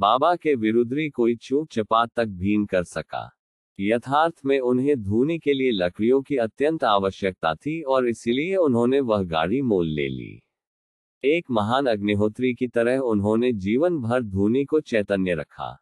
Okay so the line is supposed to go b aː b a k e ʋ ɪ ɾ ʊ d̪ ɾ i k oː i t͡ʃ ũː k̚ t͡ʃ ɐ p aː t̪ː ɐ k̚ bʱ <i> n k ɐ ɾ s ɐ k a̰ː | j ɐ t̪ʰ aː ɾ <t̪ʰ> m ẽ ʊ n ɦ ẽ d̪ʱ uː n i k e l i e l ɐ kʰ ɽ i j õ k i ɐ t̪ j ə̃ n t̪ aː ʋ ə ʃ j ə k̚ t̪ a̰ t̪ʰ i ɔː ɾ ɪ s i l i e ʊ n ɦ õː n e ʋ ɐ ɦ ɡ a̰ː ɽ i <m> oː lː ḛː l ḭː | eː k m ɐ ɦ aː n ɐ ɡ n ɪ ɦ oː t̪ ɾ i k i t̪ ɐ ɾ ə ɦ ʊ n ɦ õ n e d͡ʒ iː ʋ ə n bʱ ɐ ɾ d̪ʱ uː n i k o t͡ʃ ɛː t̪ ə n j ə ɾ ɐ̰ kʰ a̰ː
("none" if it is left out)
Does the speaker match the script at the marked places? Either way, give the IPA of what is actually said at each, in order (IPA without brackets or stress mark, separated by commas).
iː, t̪ʰ, m